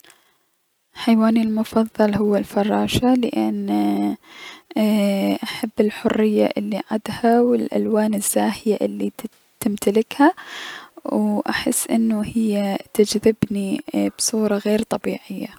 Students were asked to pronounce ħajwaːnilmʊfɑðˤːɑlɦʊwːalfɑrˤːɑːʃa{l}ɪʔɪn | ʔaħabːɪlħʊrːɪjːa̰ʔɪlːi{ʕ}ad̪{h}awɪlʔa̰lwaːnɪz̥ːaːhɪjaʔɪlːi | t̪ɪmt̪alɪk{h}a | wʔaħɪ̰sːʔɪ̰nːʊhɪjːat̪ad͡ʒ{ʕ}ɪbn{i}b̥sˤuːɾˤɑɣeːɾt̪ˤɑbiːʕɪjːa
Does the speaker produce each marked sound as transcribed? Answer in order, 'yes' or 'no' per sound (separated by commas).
yes, yes, yes, yes, no, yes